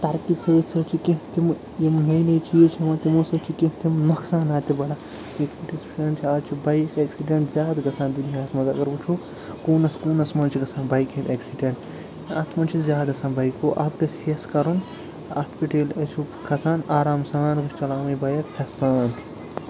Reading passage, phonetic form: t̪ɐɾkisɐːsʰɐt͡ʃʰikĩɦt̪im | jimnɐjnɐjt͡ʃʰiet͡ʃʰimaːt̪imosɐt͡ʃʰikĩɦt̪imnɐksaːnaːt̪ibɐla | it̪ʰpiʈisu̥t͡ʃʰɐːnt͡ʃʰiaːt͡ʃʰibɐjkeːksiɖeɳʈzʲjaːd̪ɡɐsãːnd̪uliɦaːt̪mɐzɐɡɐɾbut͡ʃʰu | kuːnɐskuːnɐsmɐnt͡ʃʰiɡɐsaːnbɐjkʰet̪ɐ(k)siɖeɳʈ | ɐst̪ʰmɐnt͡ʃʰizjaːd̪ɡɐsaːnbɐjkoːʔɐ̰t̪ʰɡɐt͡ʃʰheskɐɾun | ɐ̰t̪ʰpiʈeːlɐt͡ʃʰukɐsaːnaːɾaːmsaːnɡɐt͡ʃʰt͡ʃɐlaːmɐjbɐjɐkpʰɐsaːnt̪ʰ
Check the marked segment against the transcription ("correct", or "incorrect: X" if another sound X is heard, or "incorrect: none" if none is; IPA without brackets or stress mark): correct